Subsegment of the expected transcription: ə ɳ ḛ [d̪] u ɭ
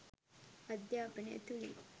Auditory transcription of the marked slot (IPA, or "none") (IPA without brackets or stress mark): t̪